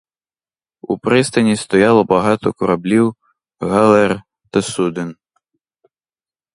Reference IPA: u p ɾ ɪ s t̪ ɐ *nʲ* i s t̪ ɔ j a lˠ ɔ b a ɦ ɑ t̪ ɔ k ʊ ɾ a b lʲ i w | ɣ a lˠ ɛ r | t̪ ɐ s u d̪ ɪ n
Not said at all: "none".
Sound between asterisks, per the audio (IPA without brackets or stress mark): nʲ